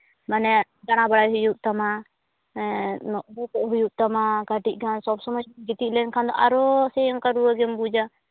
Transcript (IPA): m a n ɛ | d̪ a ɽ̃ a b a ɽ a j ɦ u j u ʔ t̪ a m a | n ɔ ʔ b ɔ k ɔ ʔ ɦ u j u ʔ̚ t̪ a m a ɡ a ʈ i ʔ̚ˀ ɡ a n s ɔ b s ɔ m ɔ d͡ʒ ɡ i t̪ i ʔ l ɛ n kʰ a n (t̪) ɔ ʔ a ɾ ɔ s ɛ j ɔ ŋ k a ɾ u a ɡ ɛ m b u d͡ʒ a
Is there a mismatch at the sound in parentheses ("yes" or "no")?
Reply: yes